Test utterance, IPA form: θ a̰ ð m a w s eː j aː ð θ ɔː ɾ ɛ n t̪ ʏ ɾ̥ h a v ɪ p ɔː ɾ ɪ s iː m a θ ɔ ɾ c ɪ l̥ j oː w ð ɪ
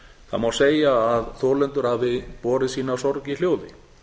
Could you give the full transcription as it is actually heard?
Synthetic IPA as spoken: θ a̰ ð m a w s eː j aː ð θ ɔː l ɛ n t̪ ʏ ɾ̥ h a v ɪ p ɔː ɾ ɪ s iː n a s ɔ ɾ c ɪ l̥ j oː w ð ɪ